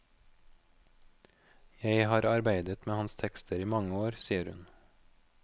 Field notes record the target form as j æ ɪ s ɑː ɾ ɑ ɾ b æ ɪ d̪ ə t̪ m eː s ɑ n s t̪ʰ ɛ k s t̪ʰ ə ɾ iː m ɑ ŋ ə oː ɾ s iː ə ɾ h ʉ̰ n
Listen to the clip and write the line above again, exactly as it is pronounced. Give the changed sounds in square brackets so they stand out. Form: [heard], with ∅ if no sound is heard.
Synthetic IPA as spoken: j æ ɪ [h] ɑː ɾ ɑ ɾ b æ ɪ d̪ ə t̪ m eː [h] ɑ n s t̪ʰ ɛ k s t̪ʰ ə ɾ iː m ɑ ŋ ə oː ɾ s iː ə ɾ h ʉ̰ n